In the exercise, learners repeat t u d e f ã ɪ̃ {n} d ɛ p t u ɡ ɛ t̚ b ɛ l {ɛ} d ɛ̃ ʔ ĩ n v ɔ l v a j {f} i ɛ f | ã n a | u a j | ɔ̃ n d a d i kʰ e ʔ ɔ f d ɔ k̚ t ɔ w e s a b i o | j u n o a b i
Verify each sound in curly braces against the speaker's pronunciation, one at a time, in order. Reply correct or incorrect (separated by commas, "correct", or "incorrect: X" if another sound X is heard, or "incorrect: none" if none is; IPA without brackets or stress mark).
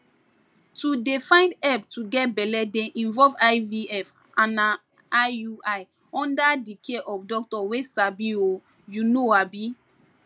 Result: correct, correct, incorrect: v